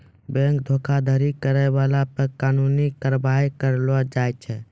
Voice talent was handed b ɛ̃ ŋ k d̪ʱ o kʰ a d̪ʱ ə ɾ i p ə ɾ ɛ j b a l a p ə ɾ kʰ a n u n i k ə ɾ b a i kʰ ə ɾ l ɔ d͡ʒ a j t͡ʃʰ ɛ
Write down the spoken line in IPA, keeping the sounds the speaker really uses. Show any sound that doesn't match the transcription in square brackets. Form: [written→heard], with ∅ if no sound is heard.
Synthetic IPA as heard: b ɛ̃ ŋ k d̪ʱ o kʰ a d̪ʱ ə ɾ i [p→k] ə ɾ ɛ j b a l a p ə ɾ [kʰ→k] a n u n i k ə ɾ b a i [kʰ→k] ə ɾ l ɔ d͡ʒ a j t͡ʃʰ ɛ